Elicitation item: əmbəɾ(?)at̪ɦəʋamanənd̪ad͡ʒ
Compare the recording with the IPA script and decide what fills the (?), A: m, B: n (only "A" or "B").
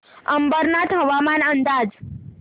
B